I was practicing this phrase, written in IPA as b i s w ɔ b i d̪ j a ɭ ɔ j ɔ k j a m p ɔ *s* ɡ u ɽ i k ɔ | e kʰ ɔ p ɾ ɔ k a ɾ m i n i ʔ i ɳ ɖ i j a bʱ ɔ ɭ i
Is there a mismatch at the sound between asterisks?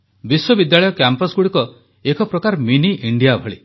no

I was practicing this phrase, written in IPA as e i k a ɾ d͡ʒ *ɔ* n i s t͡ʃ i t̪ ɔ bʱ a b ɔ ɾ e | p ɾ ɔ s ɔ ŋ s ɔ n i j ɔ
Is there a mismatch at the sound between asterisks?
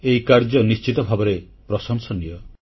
no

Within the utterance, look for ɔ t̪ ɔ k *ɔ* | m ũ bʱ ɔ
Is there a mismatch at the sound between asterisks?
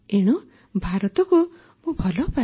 yes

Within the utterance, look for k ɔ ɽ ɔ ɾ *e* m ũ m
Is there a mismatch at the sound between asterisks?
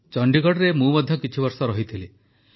no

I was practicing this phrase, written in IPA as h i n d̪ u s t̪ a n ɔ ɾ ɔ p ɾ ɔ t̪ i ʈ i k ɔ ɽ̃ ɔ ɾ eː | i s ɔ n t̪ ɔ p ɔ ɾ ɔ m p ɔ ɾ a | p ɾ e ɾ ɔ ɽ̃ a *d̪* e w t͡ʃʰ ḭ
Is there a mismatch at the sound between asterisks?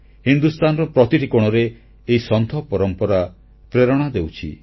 no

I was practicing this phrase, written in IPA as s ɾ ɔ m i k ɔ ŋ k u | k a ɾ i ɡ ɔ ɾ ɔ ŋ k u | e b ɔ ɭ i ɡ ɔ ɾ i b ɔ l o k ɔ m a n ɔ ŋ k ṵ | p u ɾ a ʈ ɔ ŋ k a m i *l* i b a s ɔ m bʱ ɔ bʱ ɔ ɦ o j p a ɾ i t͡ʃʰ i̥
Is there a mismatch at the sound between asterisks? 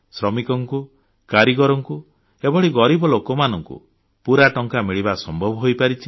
yes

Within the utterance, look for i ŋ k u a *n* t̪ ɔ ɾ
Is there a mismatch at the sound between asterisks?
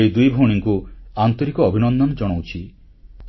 no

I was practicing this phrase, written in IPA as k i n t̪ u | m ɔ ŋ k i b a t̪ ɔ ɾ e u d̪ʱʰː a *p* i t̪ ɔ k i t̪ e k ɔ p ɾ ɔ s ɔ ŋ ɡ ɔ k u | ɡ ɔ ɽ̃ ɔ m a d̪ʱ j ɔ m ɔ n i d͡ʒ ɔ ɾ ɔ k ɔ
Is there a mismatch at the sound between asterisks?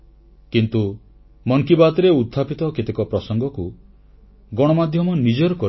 no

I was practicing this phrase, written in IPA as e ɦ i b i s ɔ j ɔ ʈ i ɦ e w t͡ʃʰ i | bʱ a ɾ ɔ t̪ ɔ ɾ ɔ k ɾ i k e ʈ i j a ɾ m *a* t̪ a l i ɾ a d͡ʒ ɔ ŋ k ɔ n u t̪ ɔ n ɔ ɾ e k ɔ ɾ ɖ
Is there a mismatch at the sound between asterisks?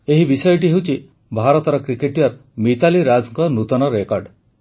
yes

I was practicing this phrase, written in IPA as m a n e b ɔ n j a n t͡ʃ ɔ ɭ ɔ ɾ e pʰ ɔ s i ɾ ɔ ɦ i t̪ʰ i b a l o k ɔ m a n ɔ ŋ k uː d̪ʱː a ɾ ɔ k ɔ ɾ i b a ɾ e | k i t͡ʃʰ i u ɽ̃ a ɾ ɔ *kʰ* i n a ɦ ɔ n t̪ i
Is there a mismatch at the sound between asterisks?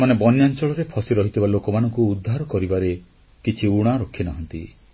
no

